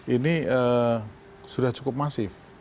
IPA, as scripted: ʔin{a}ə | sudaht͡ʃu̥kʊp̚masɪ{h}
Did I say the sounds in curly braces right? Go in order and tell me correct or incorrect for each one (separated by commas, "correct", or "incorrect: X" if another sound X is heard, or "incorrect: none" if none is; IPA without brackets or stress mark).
incorrect: i, incorrect: f